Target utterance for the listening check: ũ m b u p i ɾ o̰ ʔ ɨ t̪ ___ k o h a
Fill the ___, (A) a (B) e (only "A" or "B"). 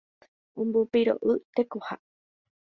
B